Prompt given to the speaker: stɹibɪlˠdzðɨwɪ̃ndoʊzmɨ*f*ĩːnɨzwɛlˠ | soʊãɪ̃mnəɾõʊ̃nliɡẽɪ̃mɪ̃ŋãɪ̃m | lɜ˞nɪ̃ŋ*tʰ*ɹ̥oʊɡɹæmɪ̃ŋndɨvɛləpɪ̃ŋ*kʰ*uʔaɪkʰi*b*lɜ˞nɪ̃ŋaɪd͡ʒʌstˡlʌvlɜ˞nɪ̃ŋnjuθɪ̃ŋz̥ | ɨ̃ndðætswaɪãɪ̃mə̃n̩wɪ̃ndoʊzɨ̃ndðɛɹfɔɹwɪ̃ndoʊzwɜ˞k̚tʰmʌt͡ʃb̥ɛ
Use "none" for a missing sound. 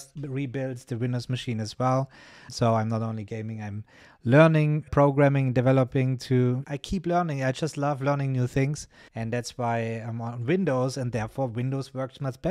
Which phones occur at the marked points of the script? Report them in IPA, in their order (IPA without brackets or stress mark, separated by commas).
ʃ, pʰ, tʰ, p